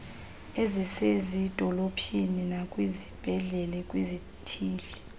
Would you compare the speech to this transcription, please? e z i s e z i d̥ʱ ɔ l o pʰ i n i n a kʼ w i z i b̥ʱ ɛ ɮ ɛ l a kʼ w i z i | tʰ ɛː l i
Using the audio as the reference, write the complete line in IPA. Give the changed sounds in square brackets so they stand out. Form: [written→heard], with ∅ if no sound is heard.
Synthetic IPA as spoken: e z i s e z i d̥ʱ ɔ l o pʰ i n i n a kʼ w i z i b̥ʱ ɛ ɮ ɛ l [a→ɛ] kʼ w i z i | tʰ [ɛː→iː] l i

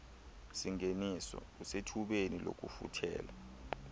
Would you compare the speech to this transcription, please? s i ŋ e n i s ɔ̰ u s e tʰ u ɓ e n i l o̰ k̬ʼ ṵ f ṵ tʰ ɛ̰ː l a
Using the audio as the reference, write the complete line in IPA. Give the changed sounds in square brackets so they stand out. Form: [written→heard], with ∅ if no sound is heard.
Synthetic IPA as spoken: s i ŋ e n i s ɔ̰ u s e tʰ u ɓ e n i l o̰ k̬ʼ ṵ f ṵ tʰ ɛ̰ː l a

